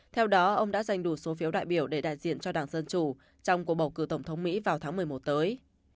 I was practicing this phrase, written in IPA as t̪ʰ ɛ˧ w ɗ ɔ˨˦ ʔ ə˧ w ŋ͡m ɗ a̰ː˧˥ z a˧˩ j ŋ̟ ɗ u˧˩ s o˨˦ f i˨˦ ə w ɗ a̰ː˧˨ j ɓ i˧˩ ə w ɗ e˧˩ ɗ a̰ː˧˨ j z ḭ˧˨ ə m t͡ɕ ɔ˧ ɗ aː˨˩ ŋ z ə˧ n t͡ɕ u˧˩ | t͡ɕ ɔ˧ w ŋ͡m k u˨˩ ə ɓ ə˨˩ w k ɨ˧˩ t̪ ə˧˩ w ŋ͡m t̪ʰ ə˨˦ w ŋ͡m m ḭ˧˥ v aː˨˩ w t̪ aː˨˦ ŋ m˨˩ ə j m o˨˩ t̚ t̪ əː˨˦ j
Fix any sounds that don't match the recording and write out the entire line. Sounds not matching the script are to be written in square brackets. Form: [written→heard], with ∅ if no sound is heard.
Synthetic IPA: t̪ʰ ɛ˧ w ɗ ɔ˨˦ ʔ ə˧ w ŋ͡m ɗ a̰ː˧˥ z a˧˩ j ŋ̟ ɗ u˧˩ s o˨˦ f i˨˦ ə w ɗ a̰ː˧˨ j ɓ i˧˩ ə w ɗ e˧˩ ɗ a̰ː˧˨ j z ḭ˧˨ ə [m→n] t͡ɕ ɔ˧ ɗ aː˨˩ ŋ z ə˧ n t͡ɕ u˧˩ | t͡ɕ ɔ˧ w ŋ͡m k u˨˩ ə ɓ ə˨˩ w k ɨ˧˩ t̪ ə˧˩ w ŋ͡m t̪ʰ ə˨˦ w ŋ͡m m ḭ˧˥ v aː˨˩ w [t̪→t̪ʰ] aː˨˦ ŋ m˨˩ ə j m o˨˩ t̚ t̪ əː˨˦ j